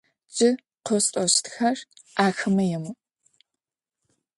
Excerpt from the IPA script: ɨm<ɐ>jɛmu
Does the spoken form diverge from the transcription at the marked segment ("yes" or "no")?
no